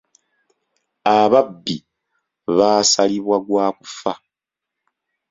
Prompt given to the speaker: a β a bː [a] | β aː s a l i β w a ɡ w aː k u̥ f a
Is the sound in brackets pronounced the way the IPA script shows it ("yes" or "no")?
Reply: no